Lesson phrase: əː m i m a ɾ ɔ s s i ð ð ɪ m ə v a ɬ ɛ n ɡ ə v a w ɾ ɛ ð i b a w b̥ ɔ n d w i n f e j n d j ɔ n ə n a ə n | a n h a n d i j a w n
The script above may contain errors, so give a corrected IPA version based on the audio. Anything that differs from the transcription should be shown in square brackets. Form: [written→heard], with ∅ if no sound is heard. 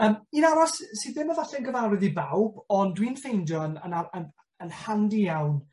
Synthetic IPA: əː m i [m→n] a ɾ ɔ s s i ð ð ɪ m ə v a ɬ ɛ n ɡ ə v a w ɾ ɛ ð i b a w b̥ ɔ n d w i n f e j n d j ɔ n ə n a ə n | [a→ə] n h a n d i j a w n